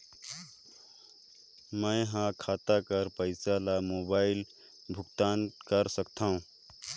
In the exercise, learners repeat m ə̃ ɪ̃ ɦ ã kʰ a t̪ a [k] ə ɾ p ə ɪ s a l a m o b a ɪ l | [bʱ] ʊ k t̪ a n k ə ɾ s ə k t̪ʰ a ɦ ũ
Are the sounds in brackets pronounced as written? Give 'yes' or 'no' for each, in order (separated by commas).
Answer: yes, yes